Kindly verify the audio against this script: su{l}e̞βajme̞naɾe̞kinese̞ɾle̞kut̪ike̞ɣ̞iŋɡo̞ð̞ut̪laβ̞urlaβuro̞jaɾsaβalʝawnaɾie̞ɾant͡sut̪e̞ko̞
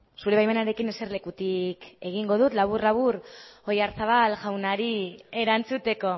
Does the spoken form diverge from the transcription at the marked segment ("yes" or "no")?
yes